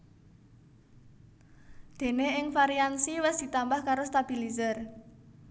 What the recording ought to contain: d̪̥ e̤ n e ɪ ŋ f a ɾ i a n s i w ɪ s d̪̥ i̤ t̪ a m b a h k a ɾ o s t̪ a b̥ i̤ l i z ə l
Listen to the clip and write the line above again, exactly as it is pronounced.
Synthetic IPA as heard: d̪̥ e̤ n e ɪ ŋ f a ɾ i a n s i w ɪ s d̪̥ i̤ t̪ a m b a h k a ɾ o s t̪ a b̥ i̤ l i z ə r